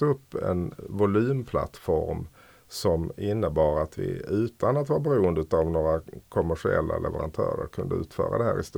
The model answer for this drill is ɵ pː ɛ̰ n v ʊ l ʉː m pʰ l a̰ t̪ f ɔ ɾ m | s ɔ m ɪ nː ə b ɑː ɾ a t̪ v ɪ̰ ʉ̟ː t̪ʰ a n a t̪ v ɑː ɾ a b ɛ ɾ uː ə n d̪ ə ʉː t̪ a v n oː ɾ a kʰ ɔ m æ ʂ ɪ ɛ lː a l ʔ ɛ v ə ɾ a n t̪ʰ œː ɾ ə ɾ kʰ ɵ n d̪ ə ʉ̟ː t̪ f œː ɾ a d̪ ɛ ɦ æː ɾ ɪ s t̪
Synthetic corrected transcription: ɵ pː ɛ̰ n v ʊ l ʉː m pʰ l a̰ t̪ f ɔ ɾ m | s ɔ m ɪ nː ə b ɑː ɾ a t̪ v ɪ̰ ʉ̟ː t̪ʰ a n a t̪ v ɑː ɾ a b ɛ ɾ uː ə n d̪ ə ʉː t̪ a v n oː ɾ a kʰ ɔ m æ ʂ ɪ ɛ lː a l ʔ ɛ v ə ɾ a n t̪ʰ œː ɾ ə ɾ kʰ ɵ n d̪ ə ʉ̟ː t̪ f œː ɾ a d̪ ɛ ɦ æː ɾ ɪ s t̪